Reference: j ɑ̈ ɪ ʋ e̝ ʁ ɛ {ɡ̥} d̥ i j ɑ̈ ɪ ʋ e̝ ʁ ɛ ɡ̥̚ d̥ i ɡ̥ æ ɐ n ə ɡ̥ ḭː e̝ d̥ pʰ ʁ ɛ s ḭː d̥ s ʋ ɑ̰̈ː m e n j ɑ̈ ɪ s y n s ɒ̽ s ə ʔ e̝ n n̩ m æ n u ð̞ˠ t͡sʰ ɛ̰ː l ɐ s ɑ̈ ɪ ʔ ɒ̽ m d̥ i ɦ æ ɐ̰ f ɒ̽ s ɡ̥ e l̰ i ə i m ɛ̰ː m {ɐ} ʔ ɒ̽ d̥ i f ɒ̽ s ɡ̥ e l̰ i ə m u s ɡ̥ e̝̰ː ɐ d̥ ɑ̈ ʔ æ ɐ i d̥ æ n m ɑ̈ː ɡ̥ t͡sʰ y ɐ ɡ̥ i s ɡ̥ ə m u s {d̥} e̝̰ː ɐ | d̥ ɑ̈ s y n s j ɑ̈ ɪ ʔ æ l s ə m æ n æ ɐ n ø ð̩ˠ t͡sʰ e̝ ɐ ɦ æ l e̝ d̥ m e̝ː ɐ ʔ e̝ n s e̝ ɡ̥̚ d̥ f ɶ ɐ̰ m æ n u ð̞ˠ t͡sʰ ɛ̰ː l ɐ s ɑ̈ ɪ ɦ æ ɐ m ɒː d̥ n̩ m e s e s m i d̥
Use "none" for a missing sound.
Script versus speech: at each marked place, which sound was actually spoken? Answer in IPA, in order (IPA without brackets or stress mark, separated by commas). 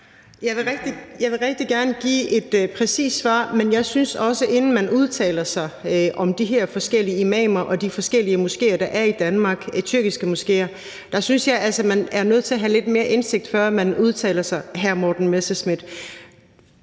ɡ̥, ɐ, ɡ̥